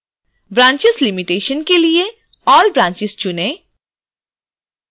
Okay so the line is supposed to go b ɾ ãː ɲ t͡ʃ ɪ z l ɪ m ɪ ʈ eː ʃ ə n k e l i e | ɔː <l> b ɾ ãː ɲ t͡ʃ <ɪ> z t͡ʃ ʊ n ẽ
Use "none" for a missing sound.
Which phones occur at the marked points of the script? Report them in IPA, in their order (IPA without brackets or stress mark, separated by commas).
l, ɪ